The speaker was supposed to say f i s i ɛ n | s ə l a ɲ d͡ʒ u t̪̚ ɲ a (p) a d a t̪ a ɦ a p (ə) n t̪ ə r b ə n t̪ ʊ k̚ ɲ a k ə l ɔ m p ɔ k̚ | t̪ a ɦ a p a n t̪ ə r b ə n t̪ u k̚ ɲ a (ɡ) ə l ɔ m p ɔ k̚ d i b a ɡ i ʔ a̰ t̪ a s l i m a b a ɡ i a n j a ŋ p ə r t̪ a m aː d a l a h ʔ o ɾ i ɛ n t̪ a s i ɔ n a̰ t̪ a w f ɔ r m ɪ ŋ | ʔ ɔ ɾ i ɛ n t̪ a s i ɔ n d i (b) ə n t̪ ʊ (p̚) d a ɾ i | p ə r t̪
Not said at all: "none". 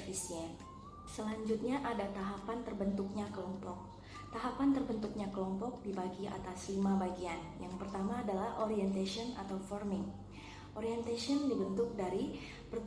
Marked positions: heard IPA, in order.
ʔ, a, k, b, k̚

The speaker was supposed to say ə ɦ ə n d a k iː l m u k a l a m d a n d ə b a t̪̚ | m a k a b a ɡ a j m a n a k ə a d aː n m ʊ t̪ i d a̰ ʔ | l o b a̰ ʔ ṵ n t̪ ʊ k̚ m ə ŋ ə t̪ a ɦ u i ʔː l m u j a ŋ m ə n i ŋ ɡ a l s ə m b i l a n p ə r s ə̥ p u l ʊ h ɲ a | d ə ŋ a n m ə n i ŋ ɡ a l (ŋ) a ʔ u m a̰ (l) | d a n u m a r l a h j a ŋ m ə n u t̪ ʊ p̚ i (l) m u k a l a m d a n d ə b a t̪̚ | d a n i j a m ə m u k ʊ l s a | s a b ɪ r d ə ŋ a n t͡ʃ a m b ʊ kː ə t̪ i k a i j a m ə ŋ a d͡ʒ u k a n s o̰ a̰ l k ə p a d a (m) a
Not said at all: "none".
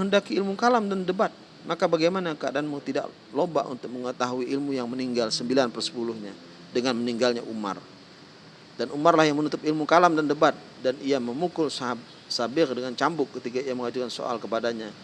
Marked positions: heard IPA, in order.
ɲ, r, l, ɲ

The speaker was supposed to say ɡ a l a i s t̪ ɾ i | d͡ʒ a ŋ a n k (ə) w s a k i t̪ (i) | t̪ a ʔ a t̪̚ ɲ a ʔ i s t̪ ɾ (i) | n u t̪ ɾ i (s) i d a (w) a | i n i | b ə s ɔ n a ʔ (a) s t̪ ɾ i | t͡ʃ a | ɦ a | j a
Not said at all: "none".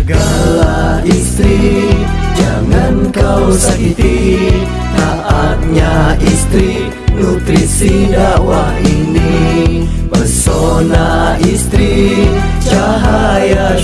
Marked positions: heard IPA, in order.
a, i, i, s, w, i

